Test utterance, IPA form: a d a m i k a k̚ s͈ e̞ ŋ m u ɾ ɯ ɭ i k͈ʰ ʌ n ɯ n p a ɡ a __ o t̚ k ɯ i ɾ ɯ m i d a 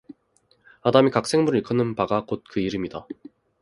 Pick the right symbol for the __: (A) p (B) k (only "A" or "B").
B